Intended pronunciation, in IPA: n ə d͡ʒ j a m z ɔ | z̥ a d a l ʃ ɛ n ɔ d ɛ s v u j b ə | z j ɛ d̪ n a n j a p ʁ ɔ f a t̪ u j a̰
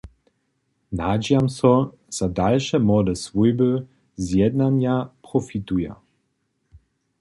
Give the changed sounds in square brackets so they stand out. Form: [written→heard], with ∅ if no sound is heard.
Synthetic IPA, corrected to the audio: n [ə→a] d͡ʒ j a m [z→s] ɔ | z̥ a d a l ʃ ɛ [n→m] ɔ d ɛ s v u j b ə | z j ɛ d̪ n a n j a p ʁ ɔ f [a→i] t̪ u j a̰